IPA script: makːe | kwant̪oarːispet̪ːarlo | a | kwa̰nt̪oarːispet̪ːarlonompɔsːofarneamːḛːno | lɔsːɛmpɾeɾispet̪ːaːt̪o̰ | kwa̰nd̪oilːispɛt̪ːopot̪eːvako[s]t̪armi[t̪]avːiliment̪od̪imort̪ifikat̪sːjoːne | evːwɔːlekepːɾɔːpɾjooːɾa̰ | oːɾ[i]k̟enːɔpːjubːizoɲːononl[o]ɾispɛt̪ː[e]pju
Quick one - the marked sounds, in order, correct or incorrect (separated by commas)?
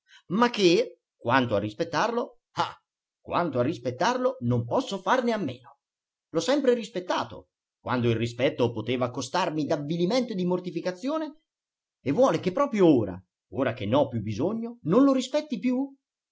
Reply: correct, incorrect, incorrect, correct, incorrect